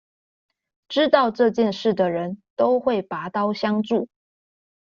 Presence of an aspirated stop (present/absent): absent